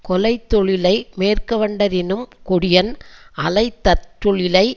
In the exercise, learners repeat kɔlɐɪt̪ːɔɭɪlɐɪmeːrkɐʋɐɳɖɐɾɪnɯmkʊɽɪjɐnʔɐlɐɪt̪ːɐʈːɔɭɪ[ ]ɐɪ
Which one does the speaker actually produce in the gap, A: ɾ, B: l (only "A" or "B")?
B